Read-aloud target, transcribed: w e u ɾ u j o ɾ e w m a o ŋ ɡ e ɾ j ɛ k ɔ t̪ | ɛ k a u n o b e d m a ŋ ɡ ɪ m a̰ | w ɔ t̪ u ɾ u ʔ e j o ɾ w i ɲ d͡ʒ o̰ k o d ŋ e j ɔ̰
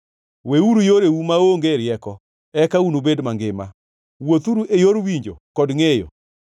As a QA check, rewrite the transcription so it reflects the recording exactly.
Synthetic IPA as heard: w e u ɾ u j o ɾ e u m a o ŋ ɡ e ɾ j ɛ k ɔ | ɛ k a u n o b e d m a ŋ ɡ ɪ m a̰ | w o t̪ u ɾ u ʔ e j o ɾ w i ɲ d͡ʒ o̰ k ɔ d ŋ e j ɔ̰